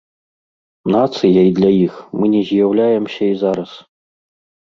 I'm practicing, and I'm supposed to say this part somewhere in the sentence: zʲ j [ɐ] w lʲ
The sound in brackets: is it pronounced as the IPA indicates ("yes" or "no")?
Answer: no